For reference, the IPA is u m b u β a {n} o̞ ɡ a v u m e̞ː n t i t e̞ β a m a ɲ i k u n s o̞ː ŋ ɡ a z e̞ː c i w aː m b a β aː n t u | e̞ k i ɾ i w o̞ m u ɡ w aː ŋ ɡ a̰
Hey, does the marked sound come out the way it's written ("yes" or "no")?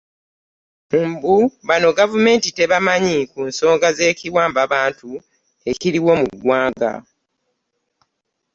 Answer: yes